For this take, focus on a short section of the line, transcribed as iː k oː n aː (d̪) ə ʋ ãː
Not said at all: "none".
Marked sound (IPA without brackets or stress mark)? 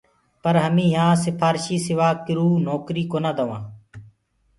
d̪